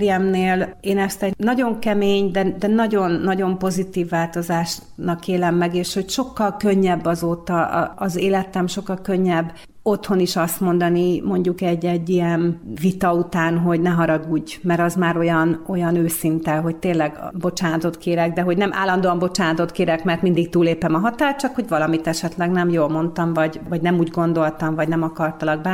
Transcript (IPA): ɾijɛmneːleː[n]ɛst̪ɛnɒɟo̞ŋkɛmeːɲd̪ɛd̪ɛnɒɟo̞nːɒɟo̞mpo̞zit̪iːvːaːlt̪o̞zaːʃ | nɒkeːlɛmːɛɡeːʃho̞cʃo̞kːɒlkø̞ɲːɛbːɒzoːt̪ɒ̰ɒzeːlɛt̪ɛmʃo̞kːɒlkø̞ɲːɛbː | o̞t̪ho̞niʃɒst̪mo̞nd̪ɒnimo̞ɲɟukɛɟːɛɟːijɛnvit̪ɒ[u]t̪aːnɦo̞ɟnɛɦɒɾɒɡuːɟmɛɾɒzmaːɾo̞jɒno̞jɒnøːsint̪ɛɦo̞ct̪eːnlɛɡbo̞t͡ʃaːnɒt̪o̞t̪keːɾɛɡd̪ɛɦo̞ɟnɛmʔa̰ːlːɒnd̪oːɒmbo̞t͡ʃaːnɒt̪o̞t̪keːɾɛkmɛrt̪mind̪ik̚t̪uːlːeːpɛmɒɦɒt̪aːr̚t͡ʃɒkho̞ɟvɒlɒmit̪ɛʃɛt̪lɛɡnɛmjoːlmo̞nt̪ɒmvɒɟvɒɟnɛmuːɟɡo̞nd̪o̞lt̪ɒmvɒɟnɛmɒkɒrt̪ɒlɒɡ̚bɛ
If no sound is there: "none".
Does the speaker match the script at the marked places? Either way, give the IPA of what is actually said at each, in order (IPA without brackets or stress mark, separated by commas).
n, u